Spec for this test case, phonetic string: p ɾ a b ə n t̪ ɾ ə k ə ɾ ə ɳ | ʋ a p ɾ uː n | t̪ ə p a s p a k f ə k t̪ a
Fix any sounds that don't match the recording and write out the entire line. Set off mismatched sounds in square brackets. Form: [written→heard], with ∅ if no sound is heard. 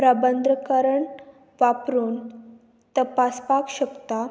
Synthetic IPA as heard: p ɾ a b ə n [t̪→d̪] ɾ ə k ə ɾ ə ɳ | ʋ a p ɾ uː n | t̪ ə p a s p a k [f→ɕ] ə k t̪ a